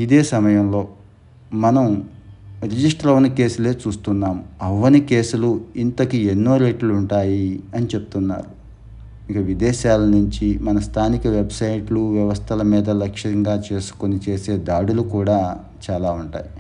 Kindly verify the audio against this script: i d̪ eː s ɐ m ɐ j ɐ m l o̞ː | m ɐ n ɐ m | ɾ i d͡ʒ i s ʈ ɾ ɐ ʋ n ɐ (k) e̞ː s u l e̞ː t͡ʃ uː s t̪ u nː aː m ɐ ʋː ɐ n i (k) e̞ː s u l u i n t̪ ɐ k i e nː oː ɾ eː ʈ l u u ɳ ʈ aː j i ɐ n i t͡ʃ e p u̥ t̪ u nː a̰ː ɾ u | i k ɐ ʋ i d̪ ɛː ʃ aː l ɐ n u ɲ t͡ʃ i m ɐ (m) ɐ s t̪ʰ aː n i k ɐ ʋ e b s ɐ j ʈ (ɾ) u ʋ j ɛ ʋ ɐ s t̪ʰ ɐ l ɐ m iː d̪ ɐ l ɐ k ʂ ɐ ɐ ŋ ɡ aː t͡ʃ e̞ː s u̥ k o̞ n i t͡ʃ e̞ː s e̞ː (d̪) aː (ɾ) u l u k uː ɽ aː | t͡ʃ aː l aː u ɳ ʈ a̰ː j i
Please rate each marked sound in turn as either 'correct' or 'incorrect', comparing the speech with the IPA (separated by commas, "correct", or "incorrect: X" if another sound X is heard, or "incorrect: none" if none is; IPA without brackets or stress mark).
correct, correct, incorrect: n, incorrect: l, correct, incorrect: ɽ